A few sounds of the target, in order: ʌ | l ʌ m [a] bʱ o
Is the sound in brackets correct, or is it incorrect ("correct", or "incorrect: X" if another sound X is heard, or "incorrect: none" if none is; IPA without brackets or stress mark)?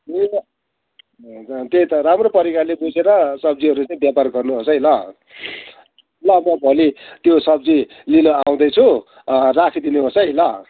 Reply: incorrect: ʌ